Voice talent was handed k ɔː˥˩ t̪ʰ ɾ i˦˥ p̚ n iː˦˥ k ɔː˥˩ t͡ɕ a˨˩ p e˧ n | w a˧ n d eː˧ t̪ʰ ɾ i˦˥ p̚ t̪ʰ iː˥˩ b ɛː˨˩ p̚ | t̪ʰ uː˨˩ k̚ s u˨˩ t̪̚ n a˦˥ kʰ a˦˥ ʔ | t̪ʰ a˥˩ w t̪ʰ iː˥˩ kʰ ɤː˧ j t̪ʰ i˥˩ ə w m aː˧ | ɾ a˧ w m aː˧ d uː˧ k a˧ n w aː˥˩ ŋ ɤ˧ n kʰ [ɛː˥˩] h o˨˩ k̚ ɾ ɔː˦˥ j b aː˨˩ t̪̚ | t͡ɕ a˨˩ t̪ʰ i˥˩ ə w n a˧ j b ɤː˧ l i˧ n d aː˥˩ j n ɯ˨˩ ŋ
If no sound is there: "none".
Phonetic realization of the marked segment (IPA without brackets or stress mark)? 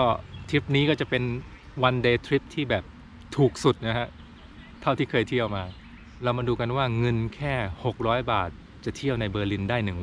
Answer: ɛː˥˩